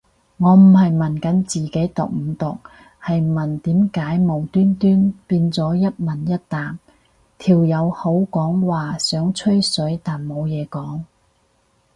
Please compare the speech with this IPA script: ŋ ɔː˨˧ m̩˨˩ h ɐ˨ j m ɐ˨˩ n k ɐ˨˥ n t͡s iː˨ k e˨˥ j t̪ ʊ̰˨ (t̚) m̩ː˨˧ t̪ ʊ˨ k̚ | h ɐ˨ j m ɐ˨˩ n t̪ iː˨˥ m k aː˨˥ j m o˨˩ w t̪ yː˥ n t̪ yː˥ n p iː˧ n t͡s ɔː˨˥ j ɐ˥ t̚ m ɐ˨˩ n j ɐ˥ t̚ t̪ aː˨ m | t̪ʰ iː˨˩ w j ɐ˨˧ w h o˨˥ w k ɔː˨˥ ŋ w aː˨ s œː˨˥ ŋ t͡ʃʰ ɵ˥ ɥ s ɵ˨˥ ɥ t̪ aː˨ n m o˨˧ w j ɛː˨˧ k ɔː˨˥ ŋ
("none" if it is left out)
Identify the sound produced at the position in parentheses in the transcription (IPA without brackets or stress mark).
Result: k̚